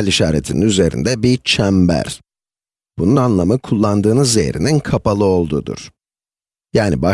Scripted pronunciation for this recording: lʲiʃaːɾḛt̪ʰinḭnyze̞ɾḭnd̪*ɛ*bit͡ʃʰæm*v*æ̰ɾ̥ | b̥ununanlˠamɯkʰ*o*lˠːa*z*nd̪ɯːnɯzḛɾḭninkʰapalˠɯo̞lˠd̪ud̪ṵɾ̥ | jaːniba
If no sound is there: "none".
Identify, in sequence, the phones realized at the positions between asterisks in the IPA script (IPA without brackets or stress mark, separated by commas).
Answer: ɛ, b, u, none